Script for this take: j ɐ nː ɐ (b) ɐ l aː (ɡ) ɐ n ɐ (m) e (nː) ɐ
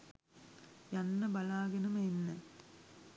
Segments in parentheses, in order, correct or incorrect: correct, correct, correct, correct

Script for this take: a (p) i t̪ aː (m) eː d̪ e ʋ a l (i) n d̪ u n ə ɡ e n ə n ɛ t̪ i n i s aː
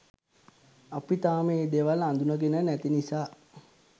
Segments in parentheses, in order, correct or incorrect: correct, correct, incorrect: a

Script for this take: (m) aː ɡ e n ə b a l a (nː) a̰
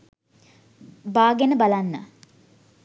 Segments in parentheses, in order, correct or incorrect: incorrect: b, correct

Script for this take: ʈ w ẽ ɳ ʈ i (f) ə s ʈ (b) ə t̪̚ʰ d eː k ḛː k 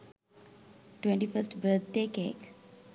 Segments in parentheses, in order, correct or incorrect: correct, correct

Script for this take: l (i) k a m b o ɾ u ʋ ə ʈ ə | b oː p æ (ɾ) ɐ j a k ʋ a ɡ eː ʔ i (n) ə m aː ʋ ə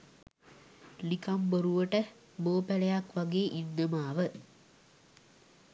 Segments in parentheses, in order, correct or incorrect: correct, incorrect: l, incorrect: nː

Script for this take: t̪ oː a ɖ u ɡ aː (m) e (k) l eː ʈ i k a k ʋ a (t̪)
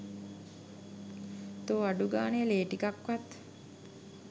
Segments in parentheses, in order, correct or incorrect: incorrect: n, incorrect: none, correct

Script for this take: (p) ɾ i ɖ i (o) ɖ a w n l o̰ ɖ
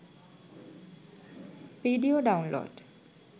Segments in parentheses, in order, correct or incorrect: correct, correct

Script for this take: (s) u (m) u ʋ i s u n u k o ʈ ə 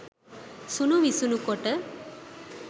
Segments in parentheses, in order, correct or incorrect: correct, incorrect: n

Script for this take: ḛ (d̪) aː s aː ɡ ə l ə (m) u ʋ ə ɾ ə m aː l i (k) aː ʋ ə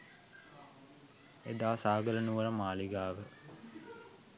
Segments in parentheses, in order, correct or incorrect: correct, incorrect: n, incorrect: ɡ

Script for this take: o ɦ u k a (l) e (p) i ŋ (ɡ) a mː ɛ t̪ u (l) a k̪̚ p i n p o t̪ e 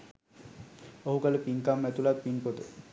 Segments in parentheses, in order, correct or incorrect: correct, correct, incorrect: k, correct

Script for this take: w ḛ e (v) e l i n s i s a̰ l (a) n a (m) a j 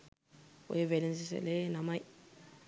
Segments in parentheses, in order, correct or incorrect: correct, incorrect: e, correct

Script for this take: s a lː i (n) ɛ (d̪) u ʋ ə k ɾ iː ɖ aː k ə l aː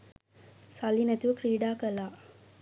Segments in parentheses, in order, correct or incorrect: correct, incorrect: t̪

